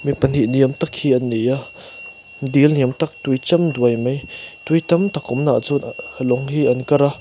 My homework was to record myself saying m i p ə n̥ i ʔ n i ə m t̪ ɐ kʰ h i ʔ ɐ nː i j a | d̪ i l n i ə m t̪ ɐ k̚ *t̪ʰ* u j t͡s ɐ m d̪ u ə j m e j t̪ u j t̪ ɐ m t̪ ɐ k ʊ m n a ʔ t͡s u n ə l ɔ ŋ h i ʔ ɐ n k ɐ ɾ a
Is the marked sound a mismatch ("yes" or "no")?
yes